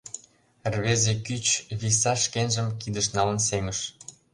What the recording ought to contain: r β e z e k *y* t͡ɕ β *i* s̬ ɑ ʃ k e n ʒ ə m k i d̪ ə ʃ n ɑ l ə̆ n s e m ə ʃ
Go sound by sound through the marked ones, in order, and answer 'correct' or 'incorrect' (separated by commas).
correct, correct